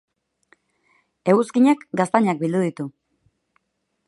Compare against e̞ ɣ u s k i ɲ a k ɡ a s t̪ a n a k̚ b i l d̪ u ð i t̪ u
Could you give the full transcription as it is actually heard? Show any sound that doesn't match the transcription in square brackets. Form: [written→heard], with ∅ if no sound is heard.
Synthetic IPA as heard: e̞ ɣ u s k i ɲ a k ɡ a s t̪ a [n→ɲ] a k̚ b i l d̪ u ð i t̪ u